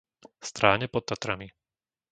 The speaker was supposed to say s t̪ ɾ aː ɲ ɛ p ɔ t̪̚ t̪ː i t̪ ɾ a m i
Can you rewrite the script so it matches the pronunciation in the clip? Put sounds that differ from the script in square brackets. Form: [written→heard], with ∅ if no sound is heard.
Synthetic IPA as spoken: s t̪ ɾ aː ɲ ɛ p ɔ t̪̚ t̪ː [i→a] t̪ ɾ a m i